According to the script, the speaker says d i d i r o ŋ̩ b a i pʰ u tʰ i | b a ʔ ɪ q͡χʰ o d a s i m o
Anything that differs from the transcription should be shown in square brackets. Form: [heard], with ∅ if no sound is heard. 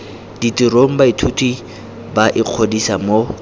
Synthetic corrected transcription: d i [t] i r o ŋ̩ b a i [tʰ] u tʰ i | b a ʔ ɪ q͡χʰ o d [i] s [a] m o